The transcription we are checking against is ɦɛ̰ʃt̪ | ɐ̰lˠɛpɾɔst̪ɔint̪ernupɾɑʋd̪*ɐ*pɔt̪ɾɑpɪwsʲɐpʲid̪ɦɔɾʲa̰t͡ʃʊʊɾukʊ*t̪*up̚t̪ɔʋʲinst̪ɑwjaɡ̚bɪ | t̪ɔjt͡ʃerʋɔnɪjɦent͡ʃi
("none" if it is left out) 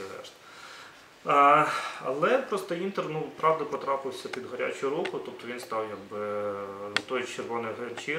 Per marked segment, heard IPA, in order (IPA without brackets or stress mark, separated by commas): ɐ, t̪